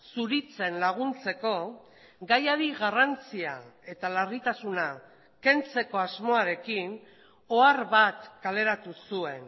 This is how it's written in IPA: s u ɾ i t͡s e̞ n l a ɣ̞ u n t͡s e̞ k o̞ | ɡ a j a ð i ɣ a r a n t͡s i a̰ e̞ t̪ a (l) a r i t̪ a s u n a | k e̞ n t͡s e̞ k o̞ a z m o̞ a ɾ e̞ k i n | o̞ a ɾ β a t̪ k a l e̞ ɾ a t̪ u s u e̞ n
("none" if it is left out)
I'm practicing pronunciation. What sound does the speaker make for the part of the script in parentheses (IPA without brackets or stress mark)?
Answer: l